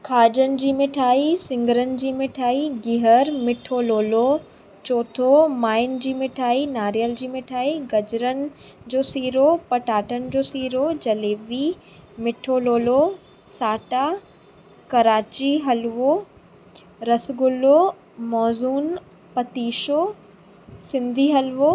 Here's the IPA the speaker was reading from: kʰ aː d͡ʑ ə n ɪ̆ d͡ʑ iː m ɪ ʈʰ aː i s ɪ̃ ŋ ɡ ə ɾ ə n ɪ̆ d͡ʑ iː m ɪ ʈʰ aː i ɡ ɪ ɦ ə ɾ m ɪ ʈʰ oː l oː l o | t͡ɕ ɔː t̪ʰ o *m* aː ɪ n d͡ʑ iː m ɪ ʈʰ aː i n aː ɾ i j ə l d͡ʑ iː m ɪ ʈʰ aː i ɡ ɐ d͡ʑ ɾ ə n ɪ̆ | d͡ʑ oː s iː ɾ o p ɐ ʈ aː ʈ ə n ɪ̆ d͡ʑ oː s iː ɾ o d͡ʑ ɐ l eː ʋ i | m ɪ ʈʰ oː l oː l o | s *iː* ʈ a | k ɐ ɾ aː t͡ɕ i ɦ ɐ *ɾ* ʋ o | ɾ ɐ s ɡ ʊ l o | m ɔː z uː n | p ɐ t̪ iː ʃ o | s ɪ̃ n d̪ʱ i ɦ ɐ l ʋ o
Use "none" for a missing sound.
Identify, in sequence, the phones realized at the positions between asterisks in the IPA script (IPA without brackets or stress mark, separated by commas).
m, aː, l